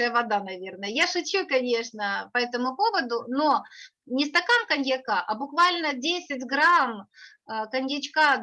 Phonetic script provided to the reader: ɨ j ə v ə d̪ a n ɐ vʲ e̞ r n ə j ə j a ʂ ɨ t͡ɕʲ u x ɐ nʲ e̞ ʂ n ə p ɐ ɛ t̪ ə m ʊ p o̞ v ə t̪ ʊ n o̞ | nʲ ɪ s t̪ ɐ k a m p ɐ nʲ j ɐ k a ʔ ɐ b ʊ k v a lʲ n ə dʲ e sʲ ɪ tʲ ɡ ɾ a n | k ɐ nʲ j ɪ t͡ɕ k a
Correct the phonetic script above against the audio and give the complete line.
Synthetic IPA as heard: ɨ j ə v ɐ d̪ a n ɐ vʲ e̞ r n ə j ə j a ʂ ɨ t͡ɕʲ u k ɐ nʲ e̞ ʂ n ə p ɐ ɛ t̪ ə m ʊ p o̞ v ə d̪ ʊ n o̞ | nʲ ɪ s t̪ ɐ k a m k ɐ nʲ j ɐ k a ʔ ɐ b ʊ k v a lʲ n ə dʲ e sʲ ɪ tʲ ɡ ɾ a m | k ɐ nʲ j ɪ t͡ɕ k a